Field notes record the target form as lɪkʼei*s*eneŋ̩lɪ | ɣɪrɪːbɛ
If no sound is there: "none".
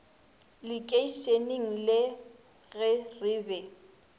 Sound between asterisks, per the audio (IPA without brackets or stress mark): s